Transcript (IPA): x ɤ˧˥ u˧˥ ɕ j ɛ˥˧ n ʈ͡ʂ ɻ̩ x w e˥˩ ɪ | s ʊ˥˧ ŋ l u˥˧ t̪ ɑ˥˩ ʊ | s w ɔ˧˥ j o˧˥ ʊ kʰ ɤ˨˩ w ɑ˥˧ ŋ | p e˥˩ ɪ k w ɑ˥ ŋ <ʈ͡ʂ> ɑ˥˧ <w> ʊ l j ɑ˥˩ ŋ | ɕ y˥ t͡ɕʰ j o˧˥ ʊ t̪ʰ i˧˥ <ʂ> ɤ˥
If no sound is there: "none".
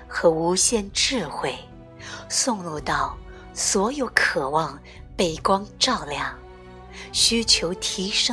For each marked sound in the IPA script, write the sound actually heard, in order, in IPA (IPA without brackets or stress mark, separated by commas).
ʈ͡ʂ, none, ʂ